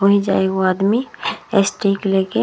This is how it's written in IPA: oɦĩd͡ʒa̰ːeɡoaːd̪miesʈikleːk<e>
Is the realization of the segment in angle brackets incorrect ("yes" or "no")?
no